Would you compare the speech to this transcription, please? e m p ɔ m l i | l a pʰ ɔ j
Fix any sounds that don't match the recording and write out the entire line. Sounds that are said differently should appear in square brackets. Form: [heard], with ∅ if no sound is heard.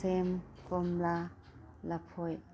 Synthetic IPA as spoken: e m [k] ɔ m l [a] | l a pʰ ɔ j